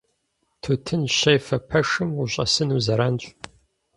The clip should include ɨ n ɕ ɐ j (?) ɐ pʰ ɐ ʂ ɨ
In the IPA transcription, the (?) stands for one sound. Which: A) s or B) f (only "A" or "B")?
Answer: B